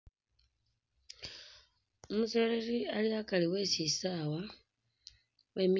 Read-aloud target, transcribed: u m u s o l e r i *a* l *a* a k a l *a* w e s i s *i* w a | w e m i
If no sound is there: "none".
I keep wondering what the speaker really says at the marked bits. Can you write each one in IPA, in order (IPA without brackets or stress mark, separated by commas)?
a, i, i, a